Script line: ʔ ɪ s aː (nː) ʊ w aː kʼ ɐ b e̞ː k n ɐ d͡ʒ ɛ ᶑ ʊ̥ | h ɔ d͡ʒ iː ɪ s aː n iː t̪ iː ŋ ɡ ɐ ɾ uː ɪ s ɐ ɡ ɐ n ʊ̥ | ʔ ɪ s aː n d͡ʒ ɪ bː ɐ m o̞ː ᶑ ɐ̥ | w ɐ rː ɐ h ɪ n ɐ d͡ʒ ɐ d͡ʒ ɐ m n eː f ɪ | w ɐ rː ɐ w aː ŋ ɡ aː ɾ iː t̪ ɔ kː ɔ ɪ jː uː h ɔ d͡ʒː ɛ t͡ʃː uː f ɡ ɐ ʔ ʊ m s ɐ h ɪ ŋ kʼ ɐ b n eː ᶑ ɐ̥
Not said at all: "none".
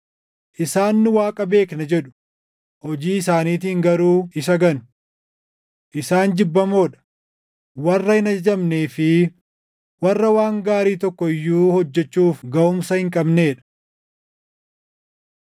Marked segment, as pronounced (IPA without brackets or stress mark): nː